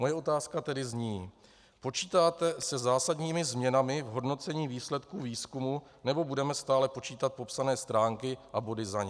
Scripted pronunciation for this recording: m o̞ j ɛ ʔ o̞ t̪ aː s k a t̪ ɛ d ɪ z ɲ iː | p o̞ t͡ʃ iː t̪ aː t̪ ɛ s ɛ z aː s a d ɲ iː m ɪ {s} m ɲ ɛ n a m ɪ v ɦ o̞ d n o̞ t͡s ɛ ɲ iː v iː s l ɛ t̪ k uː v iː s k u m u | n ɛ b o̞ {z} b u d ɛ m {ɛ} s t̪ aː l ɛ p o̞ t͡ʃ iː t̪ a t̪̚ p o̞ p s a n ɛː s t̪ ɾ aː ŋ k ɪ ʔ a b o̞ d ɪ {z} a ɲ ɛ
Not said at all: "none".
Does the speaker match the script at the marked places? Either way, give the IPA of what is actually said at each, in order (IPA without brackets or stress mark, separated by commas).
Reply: z, none, ɛ, z